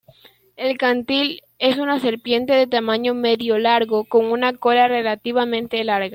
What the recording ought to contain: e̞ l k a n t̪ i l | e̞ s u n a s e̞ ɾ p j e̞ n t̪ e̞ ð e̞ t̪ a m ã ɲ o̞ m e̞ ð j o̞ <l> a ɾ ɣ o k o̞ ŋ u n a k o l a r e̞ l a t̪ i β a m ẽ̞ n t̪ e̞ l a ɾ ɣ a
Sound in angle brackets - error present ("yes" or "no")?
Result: no